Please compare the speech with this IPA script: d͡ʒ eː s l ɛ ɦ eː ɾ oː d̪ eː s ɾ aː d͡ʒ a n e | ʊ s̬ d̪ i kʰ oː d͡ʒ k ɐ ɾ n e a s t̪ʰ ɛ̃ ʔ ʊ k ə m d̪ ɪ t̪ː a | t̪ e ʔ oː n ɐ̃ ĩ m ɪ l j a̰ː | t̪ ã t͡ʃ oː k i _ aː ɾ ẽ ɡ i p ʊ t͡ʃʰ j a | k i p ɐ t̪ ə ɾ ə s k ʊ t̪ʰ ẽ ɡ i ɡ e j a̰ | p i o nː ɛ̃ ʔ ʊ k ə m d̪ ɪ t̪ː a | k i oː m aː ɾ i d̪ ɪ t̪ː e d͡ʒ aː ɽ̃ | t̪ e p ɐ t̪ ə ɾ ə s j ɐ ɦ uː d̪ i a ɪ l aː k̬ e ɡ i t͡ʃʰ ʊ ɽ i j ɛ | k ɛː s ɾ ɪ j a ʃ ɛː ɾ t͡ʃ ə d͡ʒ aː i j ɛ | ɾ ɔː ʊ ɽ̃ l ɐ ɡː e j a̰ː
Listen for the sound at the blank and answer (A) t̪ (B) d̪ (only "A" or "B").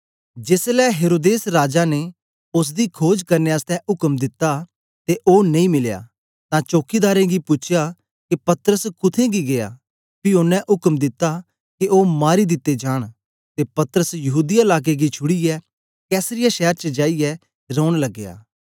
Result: B